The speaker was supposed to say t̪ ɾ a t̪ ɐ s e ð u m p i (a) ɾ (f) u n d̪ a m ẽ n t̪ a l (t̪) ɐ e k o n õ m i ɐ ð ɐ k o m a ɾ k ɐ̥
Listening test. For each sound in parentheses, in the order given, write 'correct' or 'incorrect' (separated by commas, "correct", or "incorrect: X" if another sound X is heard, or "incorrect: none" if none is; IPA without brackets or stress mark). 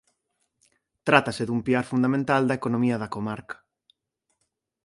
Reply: correct, correct, incorrect: d̪